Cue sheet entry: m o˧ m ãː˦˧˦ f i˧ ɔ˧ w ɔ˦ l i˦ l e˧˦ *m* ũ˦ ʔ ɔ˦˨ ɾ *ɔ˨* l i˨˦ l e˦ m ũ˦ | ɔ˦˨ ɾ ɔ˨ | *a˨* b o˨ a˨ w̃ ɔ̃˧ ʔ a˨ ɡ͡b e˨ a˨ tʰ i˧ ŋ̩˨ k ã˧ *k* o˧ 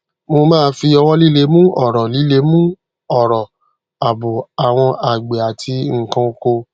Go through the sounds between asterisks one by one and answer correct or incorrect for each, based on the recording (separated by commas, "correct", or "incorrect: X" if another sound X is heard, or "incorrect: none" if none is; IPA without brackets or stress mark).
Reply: correct, correct, correct, correct